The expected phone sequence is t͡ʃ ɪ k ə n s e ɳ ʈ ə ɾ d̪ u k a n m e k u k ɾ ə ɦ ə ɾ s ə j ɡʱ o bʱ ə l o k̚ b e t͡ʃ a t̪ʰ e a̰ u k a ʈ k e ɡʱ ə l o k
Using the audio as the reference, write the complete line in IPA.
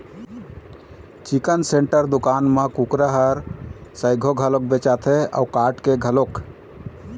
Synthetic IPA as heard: t͡ʃ i k ə n s e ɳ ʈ ə ɾ d̪ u k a n m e k u k ɾ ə ɦ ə ɾ s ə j ɡʱ o ɡʱ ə l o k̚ b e t͡ʃ a t̪ʰ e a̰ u k a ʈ k e ɡʱ ə l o k